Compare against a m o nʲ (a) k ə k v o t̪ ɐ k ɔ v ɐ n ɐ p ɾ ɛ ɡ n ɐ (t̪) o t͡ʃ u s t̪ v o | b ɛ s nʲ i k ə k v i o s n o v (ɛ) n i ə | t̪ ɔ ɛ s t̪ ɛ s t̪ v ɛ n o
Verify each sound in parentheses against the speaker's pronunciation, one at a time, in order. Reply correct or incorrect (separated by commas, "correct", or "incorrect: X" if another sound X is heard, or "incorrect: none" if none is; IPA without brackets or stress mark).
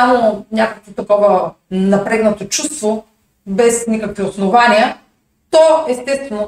correct, correct, incorrect: a